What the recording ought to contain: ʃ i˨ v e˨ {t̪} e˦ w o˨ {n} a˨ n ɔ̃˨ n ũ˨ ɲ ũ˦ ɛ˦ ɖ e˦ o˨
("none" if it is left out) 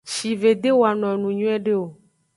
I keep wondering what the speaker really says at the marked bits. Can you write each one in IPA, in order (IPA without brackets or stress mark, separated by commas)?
d̪, none